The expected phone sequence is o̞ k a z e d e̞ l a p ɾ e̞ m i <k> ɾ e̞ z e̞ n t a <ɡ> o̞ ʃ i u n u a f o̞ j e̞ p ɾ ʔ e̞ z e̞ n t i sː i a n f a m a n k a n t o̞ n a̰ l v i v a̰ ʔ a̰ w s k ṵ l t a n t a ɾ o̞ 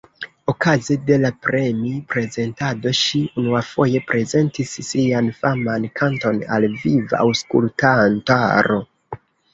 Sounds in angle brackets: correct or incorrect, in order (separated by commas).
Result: incorrect, incorrect